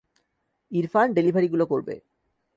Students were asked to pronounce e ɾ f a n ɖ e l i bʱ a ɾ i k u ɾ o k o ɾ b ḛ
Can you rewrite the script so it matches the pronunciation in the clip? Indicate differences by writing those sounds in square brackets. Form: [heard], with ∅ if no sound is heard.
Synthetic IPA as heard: [i] ɾ f a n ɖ e l i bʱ a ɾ i [ɡ] u [l] o k o ɾ b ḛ